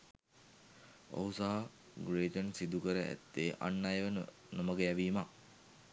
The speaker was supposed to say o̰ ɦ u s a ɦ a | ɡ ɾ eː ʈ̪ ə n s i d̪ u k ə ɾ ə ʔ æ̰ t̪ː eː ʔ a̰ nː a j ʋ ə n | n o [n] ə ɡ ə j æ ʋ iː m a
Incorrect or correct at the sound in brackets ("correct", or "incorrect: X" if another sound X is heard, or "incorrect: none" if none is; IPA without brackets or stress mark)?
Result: incorrect: m